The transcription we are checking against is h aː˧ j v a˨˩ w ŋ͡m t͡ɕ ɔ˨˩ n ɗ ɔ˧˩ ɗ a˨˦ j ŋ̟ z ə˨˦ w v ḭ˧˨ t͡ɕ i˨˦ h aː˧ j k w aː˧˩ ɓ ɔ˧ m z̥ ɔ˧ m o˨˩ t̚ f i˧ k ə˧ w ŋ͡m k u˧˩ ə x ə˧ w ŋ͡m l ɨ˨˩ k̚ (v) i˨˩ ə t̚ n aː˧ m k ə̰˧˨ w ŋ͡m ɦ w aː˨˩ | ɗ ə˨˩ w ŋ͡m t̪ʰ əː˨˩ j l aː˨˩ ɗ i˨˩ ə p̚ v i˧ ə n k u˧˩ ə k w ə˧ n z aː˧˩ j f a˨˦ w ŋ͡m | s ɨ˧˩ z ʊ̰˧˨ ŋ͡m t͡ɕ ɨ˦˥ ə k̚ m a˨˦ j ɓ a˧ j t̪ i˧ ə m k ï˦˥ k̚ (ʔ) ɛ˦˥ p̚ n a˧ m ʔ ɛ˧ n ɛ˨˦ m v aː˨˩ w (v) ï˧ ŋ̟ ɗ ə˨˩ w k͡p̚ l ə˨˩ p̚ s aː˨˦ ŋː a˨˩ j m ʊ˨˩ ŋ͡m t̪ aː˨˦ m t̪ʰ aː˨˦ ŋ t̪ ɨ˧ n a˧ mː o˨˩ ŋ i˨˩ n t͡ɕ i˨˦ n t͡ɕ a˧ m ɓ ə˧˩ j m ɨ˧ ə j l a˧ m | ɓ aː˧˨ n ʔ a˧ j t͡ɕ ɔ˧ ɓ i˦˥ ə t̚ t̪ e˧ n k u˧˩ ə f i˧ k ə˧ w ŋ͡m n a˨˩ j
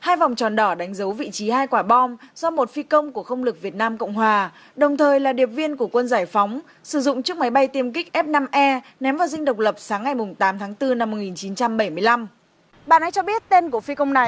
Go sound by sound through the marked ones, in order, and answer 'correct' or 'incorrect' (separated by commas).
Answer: correct, correct, incorrect